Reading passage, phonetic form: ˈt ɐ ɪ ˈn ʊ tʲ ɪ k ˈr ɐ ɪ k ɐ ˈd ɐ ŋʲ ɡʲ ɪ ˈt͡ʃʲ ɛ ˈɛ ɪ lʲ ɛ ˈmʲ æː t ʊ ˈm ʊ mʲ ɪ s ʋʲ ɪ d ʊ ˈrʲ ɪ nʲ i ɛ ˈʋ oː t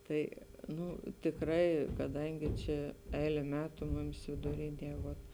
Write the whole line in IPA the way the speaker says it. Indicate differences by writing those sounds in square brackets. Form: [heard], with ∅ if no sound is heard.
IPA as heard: ˈt ɐ ɪ ˈn ʊ tʲ ɪ k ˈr ɐ ɪ k ɐ ˈd ɐ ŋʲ ɡʲ ɪ ˈt͡ʃʲ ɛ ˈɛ ɪ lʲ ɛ ˈmʲ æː t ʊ ˈm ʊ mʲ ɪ s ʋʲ ɪ d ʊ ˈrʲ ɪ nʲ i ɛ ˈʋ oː t